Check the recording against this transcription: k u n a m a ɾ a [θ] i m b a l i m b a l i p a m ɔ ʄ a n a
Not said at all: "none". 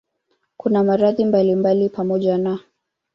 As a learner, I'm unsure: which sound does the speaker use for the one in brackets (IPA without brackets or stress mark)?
ð